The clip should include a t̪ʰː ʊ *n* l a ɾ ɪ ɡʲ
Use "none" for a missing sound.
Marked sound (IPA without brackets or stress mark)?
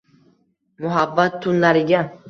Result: n